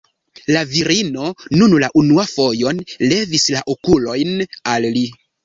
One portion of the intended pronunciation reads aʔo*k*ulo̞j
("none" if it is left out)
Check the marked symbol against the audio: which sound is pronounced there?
k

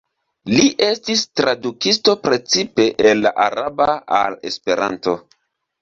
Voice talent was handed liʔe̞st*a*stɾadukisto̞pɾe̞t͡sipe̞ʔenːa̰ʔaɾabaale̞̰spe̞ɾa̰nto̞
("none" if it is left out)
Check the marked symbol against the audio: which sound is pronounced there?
i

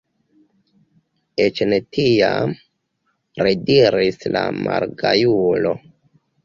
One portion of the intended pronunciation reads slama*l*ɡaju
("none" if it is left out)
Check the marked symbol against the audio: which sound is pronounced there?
ɾ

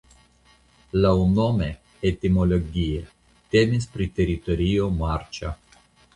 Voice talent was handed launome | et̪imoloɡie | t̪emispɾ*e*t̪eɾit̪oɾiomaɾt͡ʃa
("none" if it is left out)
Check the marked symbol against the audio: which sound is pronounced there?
i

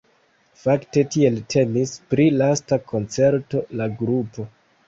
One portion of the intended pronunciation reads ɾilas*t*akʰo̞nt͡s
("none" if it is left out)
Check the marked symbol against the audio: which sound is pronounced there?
t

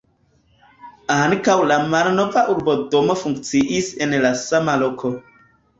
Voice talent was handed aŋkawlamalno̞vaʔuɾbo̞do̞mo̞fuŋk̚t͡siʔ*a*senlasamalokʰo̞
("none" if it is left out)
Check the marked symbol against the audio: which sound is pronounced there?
i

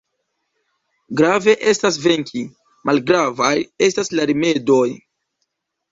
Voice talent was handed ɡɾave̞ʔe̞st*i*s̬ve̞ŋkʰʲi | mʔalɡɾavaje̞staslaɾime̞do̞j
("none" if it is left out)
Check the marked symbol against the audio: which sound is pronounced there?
a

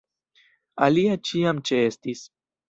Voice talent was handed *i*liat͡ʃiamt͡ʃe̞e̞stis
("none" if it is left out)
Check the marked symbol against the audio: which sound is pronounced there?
a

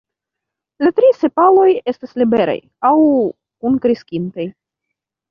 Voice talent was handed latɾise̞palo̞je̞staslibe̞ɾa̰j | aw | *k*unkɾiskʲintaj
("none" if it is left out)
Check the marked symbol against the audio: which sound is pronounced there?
k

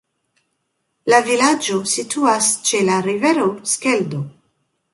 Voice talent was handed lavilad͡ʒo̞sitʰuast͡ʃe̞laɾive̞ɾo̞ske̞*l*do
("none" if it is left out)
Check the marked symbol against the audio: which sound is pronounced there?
l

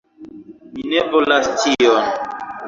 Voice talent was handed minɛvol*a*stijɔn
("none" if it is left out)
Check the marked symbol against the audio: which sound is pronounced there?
a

